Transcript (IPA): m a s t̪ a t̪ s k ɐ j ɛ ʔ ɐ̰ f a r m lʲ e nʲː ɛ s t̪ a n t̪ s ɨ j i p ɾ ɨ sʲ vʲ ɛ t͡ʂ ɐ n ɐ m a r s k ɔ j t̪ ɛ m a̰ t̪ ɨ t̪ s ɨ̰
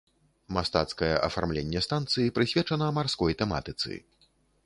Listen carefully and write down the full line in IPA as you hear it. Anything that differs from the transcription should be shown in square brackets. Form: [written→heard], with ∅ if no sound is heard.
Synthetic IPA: m a s t̪ a t̪ s k ɐ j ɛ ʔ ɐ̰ f a r m lʲ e nʲː ɛ s t̪ a n t̪ s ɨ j i p ɾ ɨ sʲ vʲ ɛ t͡ʂ ɐ n ɐ m a r s k ɔ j t̪ ɛ m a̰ t̪ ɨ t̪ s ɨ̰